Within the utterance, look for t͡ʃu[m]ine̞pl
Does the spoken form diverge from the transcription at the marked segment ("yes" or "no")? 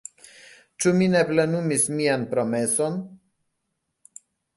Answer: no